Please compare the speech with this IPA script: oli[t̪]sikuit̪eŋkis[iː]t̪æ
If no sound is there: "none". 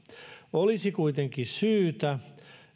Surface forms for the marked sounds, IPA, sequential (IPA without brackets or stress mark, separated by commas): none, yː